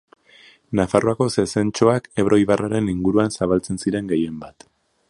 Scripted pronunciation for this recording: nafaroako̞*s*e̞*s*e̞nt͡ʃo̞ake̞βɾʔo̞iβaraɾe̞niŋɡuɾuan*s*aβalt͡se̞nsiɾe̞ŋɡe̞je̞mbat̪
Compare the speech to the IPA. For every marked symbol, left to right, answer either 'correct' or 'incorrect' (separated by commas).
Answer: correct, correct, correct